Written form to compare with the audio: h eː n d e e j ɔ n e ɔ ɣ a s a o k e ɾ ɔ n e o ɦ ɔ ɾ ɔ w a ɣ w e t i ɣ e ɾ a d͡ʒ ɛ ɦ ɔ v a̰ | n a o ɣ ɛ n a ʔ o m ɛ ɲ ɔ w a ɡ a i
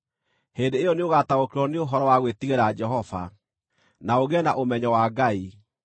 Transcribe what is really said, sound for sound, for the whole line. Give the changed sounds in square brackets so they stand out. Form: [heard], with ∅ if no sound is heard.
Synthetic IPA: h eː n d e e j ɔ n e [o] ɣ a [t] a o k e ɾ ɔ n e o ɦ ɔ ɾ ɔ w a ɣ w e t i ɣ e ɾ a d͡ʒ ɛ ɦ ɔ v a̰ | n a o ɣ ɛ n a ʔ o m ɛ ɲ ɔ w a ɡ a i